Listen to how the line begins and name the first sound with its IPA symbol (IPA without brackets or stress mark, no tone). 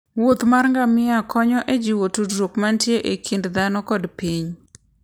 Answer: w